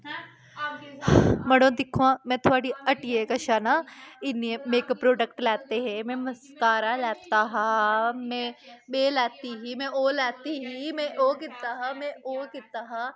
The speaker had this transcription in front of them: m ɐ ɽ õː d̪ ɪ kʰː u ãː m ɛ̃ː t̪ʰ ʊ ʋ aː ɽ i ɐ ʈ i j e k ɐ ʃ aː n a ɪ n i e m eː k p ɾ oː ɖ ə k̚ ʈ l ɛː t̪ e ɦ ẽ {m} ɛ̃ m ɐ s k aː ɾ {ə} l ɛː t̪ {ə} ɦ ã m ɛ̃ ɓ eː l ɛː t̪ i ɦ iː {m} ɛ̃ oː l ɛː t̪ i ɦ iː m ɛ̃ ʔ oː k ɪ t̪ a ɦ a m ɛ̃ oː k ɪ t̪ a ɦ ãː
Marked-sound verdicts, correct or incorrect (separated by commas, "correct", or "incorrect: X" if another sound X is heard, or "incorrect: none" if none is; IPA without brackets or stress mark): correct, incorrect: a, incorrect: a, correct